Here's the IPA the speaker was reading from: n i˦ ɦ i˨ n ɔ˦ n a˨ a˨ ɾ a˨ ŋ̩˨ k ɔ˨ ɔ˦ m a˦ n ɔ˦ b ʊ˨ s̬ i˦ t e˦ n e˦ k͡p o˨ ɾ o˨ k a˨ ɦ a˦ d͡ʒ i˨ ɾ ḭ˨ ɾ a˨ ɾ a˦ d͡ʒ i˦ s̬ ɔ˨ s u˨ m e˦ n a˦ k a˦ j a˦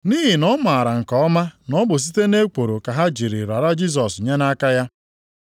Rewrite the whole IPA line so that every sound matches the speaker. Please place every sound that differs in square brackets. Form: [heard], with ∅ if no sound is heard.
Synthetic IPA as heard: n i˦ ɦ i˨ n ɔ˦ [m] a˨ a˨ ɾ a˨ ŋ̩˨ k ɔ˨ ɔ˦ m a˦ n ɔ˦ b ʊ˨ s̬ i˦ t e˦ n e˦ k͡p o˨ ɾ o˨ k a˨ ɦ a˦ d͡ʒ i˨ ɾ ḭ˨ ɾ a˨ ɾ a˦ d͡ʒ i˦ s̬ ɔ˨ s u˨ [ɲ] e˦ n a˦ k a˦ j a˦

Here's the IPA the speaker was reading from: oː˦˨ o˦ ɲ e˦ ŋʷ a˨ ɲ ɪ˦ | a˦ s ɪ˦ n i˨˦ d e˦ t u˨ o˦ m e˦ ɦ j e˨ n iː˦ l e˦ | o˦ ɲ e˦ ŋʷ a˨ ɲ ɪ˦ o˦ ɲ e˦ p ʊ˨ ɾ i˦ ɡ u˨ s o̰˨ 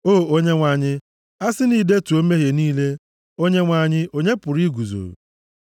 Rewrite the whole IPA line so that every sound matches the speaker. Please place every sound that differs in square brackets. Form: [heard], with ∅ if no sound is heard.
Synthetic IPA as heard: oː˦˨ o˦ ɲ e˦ ŋʷ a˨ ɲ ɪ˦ | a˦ s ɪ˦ n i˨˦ d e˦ t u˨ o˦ m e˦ ɦ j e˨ n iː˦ l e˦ | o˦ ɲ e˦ ŋʷ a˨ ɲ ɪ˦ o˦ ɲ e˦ p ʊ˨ ɾ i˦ ɡ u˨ [z] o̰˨

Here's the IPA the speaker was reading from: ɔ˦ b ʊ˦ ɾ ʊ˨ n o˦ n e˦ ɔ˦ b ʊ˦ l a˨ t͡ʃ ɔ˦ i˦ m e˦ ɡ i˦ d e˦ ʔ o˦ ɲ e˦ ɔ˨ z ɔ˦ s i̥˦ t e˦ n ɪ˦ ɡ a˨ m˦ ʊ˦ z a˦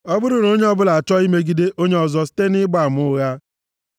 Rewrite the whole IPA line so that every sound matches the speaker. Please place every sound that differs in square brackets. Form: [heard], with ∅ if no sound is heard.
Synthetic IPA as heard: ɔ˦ b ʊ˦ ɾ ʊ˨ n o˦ [ɲ] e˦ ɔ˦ b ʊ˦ l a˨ t͡ʃ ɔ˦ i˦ m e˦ ɡ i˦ d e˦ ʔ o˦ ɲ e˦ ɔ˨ z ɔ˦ s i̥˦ t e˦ n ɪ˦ [ɡ͡b] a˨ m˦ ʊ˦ [ɣ] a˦

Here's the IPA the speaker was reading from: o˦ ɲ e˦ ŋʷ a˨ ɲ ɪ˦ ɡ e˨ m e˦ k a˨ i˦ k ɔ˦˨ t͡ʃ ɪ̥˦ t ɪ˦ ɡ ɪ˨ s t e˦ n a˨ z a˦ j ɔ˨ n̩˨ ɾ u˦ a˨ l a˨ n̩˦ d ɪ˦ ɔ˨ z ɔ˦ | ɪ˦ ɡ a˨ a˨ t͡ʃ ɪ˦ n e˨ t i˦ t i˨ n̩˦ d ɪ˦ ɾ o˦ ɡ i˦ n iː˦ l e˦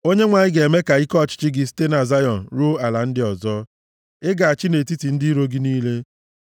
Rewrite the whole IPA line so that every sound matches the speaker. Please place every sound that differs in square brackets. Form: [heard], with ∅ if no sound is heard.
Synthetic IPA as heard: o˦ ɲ e˦ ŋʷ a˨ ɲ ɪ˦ ɡ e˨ m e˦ k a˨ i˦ k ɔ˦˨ t͡ʃ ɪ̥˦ [t͡ʃ] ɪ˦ ɡ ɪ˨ s t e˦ n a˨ z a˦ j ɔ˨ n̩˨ ɾ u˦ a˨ l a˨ n̩˦ d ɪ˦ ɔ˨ z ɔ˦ | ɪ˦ ɡ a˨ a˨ t͡ʃ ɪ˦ n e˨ t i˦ t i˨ n̩˦ d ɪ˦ ɾ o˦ ɡ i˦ n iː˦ l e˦

